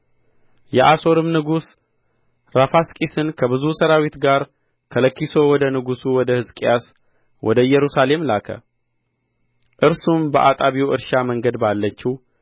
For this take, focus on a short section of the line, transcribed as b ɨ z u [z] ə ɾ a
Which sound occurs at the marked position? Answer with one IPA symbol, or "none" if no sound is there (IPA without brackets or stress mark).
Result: s